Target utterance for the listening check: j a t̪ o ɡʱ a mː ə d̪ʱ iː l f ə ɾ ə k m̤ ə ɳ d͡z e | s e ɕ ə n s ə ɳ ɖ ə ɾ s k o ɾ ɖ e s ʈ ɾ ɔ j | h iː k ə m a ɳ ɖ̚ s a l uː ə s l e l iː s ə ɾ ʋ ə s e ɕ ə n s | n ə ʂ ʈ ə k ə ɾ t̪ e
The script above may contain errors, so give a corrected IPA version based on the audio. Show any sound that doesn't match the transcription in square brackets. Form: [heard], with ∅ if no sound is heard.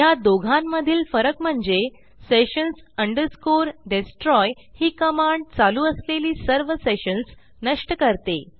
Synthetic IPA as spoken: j a [d̪] o ɡʱ a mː ə d̪ʱ iː l f ə ɾ ə k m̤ ə ɳ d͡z e | s e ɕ ə n s ə ɳ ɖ ə ɾ s k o ɾ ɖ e s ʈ ɾ ɔ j | h iː k ə m a ɳ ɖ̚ [t͡s] a l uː ə s l e l iː s ə ɾ ʋ ə s e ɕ ə n s | n ə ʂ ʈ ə k ə ɾ t̪ e